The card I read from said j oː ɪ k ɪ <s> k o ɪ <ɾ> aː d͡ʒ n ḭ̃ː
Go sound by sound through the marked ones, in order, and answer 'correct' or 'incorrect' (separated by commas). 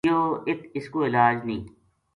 correct, incorrect